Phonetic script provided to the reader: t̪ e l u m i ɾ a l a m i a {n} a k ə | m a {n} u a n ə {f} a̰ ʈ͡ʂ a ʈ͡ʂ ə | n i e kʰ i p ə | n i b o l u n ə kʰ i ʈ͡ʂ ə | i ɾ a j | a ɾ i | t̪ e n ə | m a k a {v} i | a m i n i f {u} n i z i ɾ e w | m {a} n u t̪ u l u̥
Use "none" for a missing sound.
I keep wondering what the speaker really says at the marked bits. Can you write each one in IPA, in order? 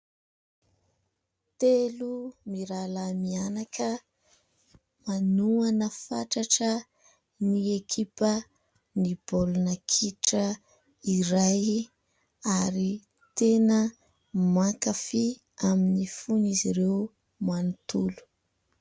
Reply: n, n, f, f, u, a

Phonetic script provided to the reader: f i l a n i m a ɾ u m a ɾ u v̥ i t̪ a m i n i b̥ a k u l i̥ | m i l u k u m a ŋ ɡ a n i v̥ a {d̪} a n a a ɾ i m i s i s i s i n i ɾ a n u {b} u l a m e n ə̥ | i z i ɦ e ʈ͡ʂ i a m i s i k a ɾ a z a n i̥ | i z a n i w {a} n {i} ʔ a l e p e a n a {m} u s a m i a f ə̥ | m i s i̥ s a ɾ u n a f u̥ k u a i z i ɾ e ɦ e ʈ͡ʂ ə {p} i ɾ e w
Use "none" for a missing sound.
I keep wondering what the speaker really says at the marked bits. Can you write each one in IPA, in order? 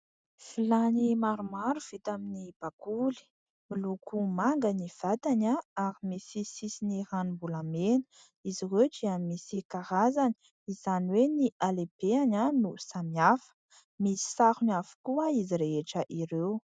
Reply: t̪, b, e, i, n, ʔ

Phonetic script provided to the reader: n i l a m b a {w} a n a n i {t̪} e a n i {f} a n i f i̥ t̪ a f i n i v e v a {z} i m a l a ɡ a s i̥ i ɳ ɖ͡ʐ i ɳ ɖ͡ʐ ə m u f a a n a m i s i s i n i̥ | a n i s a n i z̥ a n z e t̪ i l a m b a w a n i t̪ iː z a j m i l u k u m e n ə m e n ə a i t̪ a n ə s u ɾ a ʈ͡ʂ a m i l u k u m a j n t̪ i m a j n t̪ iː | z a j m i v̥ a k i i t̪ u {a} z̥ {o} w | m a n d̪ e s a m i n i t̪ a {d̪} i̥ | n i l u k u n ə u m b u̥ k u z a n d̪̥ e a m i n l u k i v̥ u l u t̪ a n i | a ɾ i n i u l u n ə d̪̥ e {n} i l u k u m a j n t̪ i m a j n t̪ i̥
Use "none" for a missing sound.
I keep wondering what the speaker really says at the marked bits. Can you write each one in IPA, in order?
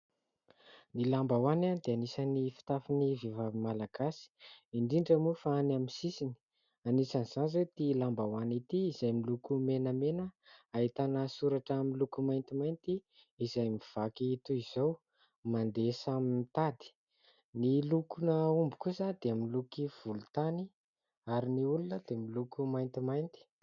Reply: w, d̪, s, v, i, o, d̪, m

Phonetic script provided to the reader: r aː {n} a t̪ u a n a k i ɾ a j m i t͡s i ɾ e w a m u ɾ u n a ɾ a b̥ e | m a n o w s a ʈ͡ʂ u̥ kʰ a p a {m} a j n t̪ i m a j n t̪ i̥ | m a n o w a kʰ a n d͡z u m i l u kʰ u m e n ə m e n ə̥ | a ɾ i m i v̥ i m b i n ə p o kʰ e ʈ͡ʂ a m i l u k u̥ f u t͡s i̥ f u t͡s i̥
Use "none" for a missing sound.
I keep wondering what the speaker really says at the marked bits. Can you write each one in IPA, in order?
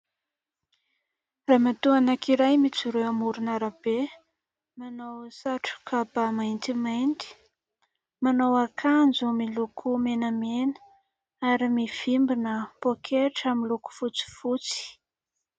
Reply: m, m

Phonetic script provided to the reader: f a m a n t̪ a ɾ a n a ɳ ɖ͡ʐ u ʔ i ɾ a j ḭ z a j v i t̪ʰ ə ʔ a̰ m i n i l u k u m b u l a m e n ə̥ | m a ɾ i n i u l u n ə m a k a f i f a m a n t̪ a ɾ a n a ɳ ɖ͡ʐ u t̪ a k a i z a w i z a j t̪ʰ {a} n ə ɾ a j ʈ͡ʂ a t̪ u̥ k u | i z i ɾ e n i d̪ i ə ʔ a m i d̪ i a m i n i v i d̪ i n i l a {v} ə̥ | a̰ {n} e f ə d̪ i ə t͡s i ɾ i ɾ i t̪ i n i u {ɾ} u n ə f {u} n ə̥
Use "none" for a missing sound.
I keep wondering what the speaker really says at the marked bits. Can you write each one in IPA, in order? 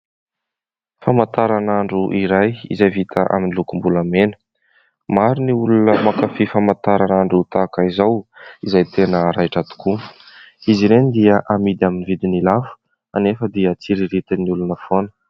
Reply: e, f, n, l, o

